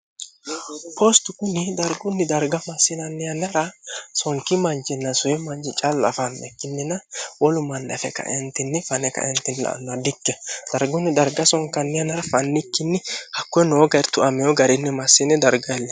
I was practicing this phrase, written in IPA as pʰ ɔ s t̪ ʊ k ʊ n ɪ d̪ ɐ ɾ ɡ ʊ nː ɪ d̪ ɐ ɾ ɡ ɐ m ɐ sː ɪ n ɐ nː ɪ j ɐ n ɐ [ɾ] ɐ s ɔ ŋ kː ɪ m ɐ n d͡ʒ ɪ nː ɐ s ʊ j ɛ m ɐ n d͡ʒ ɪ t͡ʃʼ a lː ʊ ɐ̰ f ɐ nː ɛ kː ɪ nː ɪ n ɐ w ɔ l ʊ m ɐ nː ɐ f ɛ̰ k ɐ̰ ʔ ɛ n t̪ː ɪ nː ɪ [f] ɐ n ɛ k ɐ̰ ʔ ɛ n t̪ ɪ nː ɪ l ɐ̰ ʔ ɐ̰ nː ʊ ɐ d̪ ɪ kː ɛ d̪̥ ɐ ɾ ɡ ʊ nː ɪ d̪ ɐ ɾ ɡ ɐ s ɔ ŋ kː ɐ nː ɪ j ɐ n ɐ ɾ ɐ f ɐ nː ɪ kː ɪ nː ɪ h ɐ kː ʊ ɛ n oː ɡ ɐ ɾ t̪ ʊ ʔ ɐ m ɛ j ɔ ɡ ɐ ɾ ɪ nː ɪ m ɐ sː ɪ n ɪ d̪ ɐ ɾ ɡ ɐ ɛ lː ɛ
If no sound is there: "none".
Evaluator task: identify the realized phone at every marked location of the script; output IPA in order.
ɾ, f

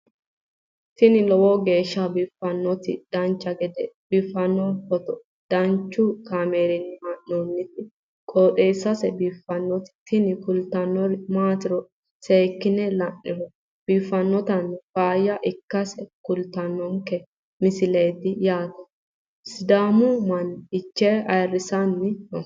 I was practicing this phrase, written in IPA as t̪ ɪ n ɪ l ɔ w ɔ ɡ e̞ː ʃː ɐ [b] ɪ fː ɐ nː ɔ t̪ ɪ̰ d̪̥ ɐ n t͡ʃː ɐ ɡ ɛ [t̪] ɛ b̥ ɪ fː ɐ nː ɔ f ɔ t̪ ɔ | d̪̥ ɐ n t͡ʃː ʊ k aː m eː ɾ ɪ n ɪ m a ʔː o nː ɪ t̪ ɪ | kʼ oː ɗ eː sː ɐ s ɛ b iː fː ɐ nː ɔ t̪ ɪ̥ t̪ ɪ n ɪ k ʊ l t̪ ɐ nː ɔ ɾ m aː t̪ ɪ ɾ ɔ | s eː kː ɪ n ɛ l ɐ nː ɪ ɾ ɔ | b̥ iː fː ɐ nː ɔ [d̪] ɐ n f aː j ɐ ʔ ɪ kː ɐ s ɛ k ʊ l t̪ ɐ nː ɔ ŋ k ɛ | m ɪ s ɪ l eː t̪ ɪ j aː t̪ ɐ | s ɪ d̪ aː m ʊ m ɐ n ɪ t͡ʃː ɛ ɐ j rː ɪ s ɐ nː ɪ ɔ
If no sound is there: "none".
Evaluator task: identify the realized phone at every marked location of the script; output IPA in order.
b, d̪, t̪

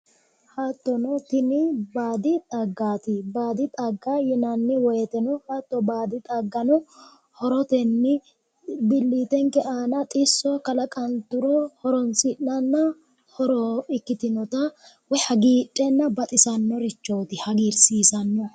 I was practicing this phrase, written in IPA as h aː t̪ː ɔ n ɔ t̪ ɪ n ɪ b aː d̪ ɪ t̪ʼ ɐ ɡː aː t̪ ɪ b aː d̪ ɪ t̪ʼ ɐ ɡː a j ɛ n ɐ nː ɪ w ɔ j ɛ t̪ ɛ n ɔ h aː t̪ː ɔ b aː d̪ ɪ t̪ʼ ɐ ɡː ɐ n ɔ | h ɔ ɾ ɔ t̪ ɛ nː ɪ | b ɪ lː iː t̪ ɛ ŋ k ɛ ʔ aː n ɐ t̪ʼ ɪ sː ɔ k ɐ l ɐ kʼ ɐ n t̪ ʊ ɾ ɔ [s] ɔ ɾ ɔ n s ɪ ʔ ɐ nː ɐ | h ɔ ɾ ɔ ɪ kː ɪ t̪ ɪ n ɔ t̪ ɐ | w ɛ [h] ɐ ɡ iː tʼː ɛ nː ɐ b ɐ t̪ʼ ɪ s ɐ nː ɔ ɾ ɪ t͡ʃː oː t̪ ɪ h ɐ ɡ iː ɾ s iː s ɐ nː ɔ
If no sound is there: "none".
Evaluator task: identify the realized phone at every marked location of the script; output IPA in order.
h, h

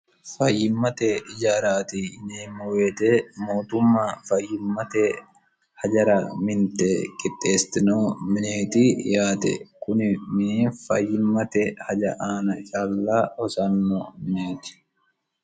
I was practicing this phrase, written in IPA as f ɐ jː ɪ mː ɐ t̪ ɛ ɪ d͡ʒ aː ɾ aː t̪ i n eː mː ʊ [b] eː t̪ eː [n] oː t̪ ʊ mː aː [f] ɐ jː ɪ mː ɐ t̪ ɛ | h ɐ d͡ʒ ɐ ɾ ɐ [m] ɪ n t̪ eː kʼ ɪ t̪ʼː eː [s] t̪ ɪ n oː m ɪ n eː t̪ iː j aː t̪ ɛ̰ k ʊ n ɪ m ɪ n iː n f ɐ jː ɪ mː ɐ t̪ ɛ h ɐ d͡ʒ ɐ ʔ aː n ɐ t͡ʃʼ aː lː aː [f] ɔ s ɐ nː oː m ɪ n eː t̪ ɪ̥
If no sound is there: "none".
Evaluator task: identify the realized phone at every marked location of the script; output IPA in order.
w, m, f, m, s, h

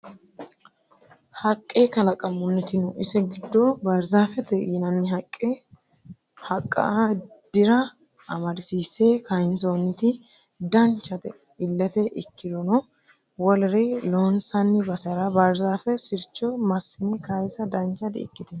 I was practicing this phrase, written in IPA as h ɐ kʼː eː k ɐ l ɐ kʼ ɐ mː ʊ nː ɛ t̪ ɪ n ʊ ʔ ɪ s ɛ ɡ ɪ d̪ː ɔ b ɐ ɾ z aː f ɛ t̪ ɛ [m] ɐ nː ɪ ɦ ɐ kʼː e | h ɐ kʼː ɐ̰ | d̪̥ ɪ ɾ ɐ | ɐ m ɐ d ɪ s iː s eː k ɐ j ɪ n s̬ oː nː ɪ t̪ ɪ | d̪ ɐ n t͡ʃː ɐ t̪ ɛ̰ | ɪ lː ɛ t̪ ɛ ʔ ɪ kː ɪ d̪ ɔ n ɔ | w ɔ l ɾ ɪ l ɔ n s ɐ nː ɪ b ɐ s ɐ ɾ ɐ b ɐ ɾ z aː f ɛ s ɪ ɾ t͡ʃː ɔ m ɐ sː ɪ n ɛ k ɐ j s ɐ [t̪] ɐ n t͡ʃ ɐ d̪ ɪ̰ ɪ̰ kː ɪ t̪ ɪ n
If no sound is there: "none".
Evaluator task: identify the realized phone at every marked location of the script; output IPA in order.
n, d̪

